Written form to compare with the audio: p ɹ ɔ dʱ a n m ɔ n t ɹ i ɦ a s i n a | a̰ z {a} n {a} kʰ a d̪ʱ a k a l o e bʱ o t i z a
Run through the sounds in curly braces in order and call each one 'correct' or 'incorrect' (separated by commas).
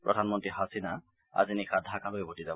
incorrect, incorrect